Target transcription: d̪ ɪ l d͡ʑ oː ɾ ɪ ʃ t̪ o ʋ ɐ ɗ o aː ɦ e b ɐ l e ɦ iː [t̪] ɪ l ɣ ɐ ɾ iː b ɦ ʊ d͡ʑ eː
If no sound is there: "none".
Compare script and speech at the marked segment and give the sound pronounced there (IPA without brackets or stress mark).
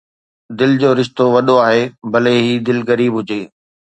d̪